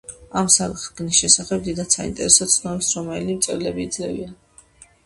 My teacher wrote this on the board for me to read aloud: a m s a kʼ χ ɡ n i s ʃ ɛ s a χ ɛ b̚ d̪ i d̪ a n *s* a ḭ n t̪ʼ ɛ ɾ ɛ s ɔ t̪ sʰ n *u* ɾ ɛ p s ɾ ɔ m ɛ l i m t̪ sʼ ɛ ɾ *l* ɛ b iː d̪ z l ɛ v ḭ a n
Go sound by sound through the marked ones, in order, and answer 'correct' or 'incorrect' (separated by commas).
correct, incorrect, correct